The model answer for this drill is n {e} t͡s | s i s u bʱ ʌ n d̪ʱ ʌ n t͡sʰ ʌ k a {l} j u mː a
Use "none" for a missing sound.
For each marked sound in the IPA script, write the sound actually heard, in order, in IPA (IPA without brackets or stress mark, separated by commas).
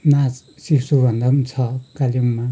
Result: a, l